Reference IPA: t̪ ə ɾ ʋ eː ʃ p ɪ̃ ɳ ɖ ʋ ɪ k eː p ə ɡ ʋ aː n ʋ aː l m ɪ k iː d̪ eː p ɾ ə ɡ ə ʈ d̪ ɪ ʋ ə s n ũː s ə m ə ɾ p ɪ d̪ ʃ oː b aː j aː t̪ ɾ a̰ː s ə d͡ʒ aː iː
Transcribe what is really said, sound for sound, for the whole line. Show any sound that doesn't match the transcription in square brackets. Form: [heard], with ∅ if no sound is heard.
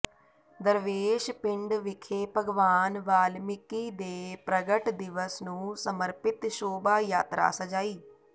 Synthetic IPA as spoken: [d̪] ə ɾ ʋ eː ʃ p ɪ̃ ɳ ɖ ʋ ɪ [kʰ] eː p ə ɡ ʋ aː n ʋ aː l m ɪ k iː d̪ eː p ɾ ə ɡ ə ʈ d̪ ɪ ʋ ə s n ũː s ə m ə ɾ p ɪ [t̪] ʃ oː b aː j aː t̪ ɾ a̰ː s ə d͡ʒ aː iː